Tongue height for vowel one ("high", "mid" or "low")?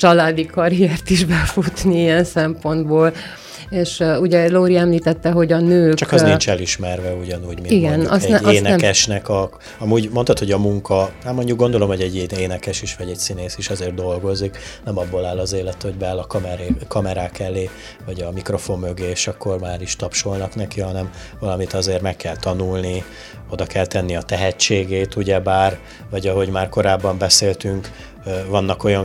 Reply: low